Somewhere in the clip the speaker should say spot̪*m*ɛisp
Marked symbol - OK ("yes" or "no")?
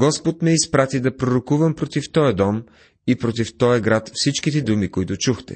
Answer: yes